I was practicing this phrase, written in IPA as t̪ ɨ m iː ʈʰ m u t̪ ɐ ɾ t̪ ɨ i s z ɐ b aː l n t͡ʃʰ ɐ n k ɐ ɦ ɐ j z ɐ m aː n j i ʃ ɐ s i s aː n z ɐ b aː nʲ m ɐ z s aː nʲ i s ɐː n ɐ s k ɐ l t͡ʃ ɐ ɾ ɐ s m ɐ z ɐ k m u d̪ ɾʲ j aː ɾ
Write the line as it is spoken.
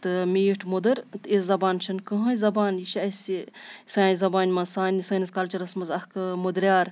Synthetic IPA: t̪ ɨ m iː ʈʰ m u d̪ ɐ ɾ t̪ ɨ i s z ɐ b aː n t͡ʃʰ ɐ n k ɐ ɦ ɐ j z ɐ b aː n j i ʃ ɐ s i s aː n z ɐ b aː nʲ m ɐ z s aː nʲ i s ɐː n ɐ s k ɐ l t͡ʃ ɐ ɾ ɐ s m ɐ z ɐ k m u d̪ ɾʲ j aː ɾ